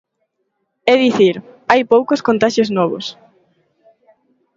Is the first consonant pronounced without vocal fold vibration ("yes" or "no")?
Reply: no